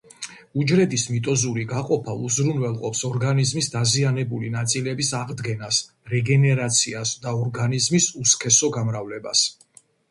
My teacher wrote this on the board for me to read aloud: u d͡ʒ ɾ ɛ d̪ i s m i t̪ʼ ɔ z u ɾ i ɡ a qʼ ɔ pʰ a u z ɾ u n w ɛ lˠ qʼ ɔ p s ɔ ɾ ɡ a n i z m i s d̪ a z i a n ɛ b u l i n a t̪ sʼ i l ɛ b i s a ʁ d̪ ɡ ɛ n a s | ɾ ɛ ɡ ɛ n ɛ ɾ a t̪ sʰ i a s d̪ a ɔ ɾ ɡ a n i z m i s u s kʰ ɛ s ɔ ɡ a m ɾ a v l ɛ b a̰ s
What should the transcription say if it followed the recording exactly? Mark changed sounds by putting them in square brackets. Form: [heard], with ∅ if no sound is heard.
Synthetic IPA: u d͡ʒ ɾ ɛ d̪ i s m i t̪ʼ ɔ z u ɾ i ɡ a qʼ ɔ pʰ a u z ɾ u n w ɛ lˠ qʼ ɔ p s ɔ ɾ ɡ a n i z m i s d̪ a z i a n ɛ b u l i n a t̪ sʼ i l ɛ b i s a ʁ d̪ ɡ ɛ n a s | ɾ ɛ ɡ ɛ n ɛ ɾ a t̪ sʰ i a s d̪ a ɔ ɾ ɡ a n i z m i s u s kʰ ɛ s ɔ ɡ a m ɾ a v l ɛ b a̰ s